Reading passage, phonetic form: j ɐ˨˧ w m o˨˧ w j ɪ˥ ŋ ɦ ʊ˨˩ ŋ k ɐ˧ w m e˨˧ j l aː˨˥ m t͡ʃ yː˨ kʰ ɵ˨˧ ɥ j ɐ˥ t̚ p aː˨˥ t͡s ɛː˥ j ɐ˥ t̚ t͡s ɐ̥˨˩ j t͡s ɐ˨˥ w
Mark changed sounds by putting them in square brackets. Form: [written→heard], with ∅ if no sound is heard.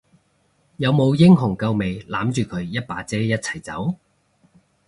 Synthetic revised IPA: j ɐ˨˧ w m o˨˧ w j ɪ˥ ŋ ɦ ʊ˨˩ ŋ k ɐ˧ w m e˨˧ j l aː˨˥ m t͡ʃ yː˨ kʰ ɵ˨˧ ɥ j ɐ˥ t̚ p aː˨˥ t͡s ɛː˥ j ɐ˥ t̚ [t͡s→t͡sʰ] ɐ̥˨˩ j t͡s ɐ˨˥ w